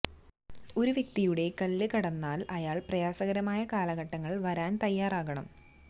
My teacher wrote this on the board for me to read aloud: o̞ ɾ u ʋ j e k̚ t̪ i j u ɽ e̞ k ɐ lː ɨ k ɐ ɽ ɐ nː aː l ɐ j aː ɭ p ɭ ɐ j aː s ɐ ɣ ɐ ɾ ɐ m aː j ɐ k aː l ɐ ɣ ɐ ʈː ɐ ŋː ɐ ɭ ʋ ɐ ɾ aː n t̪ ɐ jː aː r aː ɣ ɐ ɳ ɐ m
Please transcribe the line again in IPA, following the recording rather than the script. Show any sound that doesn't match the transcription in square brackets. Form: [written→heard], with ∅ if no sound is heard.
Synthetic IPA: o̞ ɾ u ʋ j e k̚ t̪ i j u ɽ e̞ k ɐ lː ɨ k ɐ ɽ ɐ nː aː l ɐ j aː ɭ p [ɭ→r] ɐ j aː s ɐ ɣ ɐ ɾ ɐ m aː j ɐ k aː l ɐ ɣ ɐ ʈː ɐ ŋː ɐ ɭ ʋ ɐ ɾ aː n t̪ ɐ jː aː r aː ɣ ɐ ɳ ɐ m